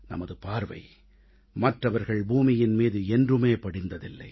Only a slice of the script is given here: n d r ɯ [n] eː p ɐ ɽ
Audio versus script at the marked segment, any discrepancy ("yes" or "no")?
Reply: yes